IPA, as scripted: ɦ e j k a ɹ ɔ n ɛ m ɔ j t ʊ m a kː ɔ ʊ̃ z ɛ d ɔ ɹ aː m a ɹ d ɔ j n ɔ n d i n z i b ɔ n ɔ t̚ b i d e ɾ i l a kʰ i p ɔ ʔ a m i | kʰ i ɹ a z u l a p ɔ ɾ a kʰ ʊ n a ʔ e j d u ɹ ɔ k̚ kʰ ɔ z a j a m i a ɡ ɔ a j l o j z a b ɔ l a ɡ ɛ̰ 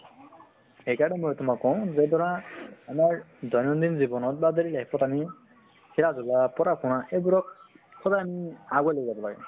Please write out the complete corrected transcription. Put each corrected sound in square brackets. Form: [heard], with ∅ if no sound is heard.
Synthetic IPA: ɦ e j k a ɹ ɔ n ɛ m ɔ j t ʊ m a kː ɔ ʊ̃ z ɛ d ɔ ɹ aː m a ɹ d ɔ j n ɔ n d i n z i b ɔ n ɔ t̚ b [a] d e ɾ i l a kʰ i p ɔ [t] a m i | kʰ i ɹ a z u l a p ɔ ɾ a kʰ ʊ n a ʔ e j [b] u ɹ ɔ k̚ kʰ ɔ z a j a m i a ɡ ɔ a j l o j z a b ɔ l a ɡ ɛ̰

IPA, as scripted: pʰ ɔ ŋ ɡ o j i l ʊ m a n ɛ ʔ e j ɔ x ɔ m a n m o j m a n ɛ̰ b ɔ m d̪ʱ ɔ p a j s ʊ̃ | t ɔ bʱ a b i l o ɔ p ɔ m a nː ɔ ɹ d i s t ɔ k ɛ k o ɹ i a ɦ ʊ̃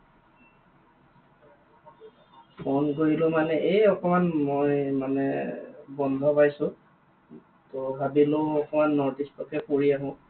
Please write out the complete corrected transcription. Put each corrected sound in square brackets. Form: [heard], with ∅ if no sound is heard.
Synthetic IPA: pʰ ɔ [n] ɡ o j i l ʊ m a n ɛ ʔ e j ɔ [k] ɔ m a n m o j m a n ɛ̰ b ɔ [n] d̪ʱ ɔ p a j s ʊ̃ | t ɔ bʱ a b i l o ɔ [k] ɔ m a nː ɔ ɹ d i s t ɔ k ɛ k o ɹ i a ɦ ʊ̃

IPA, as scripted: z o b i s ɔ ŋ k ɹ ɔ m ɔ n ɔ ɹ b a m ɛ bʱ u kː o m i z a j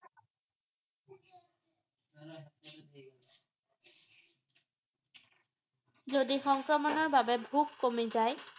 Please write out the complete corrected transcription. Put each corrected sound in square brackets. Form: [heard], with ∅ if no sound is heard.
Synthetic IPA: z o [d] i [x] ɔ ŋ k ɹ ɔ m ɔ n ɔ ɹ b a [b] ɛ bʱ u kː o m i z a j

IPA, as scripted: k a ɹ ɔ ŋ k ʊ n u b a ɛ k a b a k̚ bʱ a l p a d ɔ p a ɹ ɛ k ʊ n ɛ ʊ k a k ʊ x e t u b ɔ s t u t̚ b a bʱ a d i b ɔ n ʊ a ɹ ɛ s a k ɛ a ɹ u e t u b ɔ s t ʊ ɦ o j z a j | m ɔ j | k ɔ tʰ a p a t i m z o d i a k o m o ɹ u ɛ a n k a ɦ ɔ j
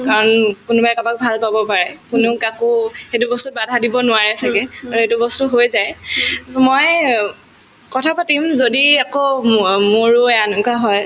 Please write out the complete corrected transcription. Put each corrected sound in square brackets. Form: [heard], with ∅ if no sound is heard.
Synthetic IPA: k a ɹ ɔ [n] k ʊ n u b a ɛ k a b a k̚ bʱ a l p a [b] ɔ p a ɹ ɛ k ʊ n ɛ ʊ k a k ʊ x e t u b ɔ s t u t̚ b a [dʱ] a d i b ɔ n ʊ a ɹ ɛ s a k ɛ a ɹ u e t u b ɔ s t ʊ ɦ o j z a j | m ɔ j | k ɔ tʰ a p a t i m z o d i a k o m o ɹ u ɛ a n k a ɦ ɔ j

